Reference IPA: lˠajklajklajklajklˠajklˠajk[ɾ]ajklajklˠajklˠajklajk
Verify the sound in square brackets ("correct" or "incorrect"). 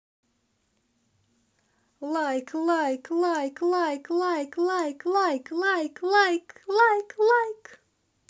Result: incorrect